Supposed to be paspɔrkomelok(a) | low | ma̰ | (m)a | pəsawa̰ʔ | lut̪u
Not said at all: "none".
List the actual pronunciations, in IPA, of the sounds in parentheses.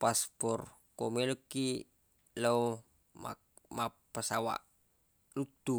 i, m

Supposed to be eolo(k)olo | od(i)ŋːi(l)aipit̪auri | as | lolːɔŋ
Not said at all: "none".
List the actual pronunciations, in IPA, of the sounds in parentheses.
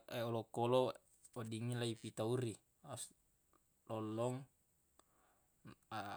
k, i, l

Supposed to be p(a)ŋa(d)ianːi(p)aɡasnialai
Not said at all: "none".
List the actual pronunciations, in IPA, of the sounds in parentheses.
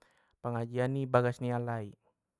ə, d͡ʒ, b

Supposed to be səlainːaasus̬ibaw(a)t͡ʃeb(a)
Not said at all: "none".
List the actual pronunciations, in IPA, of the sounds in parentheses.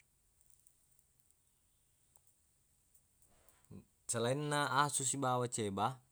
a, a

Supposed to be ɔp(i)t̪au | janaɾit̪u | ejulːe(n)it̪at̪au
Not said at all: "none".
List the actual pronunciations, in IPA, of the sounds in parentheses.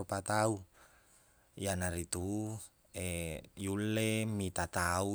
a, m

